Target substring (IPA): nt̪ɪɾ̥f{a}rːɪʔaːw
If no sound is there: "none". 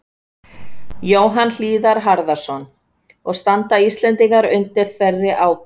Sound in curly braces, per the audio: ɛ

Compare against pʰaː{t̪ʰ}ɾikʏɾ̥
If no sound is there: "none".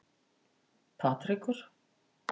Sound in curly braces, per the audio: t̪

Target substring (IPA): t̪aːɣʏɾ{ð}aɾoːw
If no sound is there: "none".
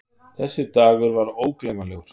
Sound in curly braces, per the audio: v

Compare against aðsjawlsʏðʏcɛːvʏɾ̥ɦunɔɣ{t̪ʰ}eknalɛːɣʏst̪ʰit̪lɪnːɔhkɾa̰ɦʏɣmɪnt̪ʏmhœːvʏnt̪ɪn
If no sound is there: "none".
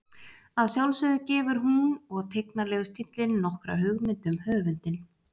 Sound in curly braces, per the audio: t̪ʰ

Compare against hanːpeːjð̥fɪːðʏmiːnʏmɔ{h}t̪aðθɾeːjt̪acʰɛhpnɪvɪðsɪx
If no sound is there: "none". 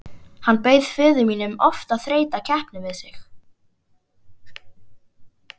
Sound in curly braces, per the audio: f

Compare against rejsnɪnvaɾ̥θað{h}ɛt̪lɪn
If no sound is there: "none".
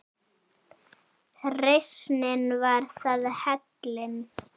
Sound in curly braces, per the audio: h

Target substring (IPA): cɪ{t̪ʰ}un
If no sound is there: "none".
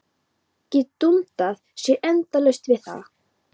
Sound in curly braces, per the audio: t̪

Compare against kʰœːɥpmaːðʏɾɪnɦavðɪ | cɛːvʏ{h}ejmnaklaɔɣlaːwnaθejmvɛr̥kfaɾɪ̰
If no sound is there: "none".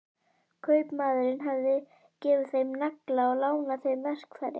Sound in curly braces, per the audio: θ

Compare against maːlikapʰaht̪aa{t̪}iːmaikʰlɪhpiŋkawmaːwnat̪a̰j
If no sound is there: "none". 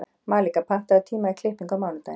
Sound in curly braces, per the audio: t̪ʰ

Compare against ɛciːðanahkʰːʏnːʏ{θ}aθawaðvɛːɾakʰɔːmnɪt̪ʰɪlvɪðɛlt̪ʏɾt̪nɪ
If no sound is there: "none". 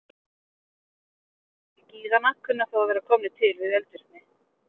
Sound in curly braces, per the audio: none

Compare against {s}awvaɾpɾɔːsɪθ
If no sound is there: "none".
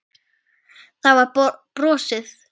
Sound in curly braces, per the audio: θ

